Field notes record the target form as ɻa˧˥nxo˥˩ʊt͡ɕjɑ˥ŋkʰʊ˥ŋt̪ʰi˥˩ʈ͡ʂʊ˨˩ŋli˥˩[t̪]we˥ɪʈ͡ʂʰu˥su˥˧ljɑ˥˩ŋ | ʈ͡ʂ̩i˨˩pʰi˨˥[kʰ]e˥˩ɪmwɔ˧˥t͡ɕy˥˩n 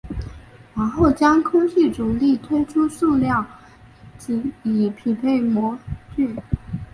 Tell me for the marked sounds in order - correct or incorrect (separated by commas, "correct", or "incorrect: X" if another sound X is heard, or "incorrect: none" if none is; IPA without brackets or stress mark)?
incorrect: t̪ʰ, incorrect: pʰ